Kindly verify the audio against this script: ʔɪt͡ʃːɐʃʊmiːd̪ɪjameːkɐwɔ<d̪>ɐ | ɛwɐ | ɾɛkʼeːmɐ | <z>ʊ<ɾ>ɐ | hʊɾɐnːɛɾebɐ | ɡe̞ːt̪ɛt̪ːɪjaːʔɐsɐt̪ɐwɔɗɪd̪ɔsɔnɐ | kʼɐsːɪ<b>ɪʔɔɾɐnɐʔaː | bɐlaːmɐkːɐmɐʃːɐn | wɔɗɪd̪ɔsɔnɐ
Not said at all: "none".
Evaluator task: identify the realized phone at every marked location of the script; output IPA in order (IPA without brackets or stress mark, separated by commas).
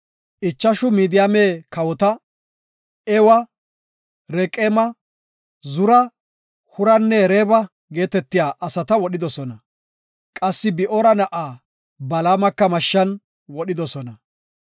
t̪, z, ɾ, b